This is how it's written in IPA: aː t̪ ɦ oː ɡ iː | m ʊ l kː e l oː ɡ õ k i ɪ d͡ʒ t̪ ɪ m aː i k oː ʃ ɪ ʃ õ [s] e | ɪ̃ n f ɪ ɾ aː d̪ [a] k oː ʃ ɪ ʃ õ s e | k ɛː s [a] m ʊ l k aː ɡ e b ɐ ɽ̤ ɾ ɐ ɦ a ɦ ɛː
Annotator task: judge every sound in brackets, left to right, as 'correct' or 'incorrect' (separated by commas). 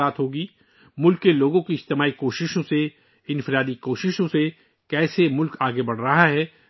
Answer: correct, incorrect, incorrect